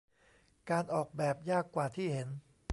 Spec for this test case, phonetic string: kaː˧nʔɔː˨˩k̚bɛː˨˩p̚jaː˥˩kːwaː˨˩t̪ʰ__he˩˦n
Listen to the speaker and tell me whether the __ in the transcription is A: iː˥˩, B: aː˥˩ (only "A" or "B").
A